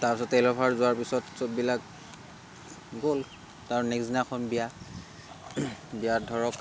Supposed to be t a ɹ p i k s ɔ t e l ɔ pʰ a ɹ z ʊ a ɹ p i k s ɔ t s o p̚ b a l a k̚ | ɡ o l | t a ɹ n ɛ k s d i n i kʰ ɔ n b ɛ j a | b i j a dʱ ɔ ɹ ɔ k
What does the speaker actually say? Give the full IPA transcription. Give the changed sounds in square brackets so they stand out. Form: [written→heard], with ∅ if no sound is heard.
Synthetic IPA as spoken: t a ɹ p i [k→∅] s ɔ t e l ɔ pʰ a ɹ z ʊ a ɹ p i [k→∅] s ɔ t s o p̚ b [a→i] l a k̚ | ɡ o l | t a ɹ n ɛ k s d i n [i→a] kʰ ɔ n b [ɛ→i] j a | b i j a dʱ ɔ ɹ ɔ k